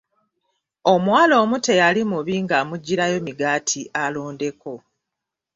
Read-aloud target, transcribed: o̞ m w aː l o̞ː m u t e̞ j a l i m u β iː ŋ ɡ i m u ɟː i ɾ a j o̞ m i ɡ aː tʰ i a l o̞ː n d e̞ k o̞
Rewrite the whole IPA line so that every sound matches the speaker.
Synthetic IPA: o̞ m w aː l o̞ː m u t e̞ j a l i m u β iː ŋ ɡ a m u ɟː i ɾ a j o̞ m i ɡ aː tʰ i a l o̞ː n d e̞ k o̞